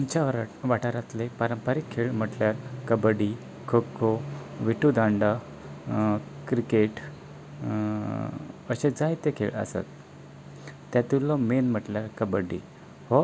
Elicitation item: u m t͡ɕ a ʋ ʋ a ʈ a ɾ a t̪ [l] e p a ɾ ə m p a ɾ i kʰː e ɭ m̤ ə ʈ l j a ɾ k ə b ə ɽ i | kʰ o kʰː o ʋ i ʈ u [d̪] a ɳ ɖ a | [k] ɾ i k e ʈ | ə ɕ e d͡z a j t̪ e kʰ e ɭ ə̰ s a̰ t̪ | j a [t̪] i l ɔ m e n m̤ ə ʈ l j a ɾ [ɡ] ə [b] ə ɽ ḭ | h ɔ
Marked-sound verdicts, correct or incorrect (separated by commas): correct, correct, correct, correct, incorrect, correct